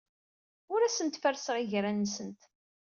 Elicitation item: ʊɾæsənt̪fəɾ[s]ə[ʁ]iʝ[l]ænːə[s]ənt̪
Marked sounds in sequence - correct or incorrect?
correct, correct, incorrect: ɾ, correct

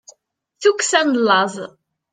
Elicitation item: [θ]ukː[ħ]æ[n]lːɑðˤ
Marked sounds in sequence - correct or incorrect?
correct, incorrect: s, correct

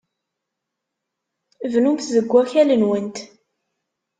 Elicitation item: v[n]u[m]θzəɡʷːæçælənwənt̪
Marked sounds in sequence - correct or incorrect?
correct, correct

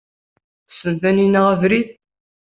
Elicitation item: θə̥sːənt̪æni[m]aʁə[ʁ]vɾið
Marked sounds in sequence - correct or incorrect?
incorrect: n, incorrect: none

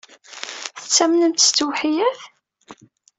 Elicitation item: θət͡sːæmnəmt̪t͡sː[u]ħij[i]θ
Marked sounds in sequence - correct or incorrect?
incorrect: w, incorrect: æ

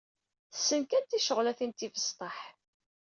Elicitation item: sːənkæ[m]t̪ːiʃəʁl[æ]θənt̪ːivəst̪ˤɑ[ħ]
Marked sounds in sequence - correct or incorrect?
incorrect: n, correct, correct

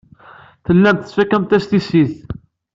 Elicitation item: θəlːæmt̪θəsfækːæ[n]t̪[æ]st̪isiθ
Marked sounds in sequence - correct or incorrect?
incorrect: m, correct

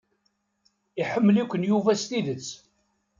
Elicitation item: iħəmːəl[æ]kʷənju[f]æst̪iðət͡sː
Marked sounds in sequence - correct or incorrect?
incorrect: i, incorrect: v

